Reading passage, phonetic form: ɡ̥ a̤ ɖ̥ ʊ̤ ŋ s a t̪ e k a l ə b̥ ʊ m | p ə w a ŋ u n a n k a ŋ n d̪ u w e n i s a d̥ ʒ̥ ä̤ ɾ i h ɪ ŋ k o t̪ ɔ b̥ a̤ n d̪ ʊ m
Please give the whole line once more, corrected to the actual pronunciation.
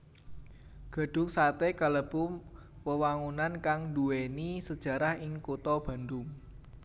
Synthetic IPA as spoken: ɡ̥ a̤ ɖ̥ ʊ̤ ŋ s a t̪ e k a l ə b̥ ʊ m | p ə w a ŋ u n a n k a ŋ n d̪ u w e n i s ə d̥ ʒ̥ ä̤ ɾ a h ɪ ŋ k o t̪ ɔ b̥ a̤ n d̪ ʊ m